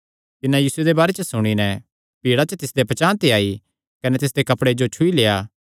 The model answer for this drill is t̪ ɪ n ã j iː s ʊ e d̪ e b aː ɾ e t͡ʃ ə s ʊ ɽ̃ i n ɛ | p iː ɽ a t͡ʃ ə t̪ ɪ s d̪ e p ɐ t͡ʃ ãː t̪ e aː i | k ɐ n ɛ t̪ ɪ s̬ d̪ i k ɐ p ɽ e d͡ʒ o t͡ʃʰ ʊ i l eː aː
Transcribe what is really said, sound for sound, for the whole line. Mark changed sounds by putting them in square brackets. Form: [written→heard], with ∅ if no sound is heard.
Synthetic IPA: t̪ ɪ n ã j iː s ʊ e d̪ e b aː ɾ e t͡ʃ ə s ʊ ɽ̃ i n ɛ | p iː ɽ a t͡ʃ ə t̪ ɪ s d̪ e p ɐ t͡ʃ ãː t̪ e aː i | k ɐ n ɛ t̪ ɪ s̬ d̪ [i→e] k ɐ p ɽ e d͡ʒ o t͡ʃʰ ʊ i l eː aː